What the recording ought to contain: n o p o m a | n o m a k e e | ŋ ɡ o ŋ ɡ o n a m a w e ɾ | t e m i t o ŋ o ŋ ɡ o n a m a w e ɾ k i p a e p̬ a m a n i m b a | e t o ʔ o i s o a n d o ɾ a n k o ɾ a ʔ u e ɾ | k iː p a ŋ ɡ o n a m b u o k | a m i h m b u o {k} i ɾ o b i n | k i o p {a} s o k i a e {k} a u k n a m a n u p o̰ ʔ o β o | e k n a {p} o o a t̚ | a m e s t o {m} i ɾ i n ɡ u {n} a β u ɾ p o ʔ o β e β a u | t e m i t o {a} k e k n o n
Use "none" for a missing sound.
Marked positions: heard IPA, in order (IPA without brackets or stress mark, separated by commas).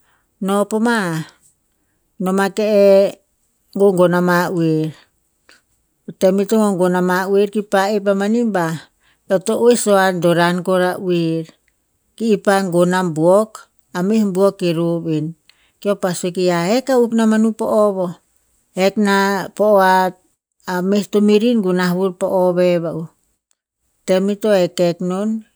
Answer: k, a, k, p, m, n, e